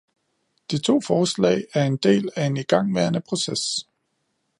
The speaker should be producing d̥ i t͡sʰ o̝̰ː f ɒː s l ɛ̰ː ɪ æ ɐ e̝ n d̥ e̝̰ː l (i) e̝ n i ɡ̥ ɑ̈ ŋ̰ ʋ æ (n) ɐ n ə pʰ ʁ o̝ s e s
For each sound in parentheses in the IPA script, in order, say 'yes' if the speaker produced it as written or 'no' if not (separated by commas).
no, no